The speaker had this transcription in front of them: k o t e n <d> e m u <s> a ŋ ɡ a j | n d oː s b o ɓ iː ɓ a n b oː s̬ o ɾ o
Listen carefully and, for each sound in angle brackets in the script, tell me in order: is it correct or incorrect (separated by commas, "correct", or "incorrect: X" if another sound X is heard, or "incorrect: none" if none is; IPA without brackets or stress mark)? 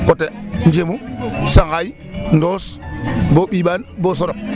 incorrect: d͡ʒ, correct